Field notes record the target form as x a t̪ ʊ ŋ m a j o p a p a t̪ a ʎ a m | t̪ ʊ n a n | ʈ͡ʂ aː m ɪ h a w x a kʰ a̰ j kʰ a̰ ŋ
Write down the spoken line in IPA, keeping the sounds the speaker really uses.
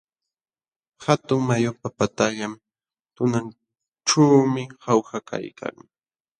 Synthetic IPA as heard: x a t̪ ʊ ŋ m a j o p a p a t̪ a ʎ a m | t̪ ʊ n a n | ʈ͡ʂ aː m ɪ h a w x a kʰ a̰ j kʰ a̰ ŋ